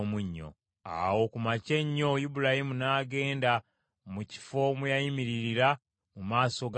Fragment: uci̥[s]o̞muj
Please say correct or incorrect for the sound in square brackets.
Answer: incorrect: f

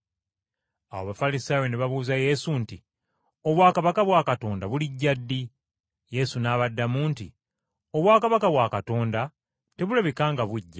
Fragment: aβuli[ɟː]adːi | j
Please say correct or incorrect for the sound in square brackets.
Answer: correct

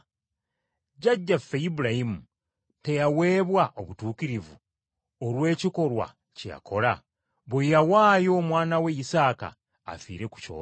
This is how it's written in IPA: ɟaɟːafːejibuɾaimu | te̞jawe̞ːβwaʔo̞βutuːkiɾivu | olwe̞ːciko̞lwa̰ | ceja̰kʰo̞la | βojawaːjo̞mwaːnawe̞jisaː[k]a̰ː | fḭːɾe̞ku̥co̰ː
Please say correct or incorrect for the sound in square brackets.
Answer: correct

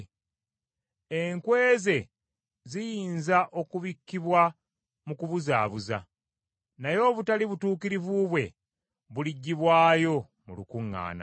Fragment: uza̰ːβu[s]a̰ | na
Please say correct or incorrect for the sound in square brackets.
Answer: incorrect: z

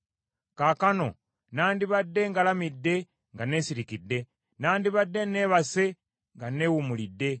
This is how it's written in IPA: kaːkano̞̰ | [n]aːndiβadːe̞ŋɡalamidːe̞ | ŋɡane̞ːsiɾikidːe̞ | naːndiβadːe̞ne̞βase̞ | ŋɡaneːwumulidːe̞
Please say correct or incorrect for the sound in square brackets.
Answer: correct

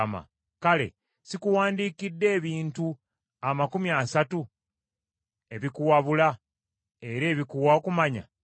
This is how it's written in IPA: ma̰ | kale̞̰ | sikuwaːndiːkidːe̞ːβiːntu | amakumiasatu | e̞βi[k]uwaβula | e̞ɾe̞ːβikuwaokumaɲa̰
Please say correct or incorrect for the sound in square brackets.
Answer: correct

